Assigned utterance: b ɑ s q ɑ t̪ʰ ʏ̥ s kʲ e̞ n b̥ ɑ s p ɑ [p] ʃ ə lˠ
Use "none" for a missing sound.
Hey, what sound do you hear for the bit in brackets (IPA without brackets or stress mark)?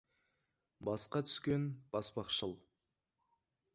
q